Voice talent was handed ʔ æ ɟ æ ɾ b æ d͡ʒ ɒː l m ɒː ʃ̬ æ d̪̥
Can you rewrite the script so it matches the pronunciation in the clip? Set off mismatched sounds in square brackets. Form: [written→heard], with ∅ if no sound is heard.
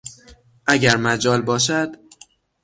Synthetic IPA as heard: ʔ æ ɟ æ ɾ [b→m] æ d͡ʒ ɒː l [m→b] ɒː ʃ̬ æ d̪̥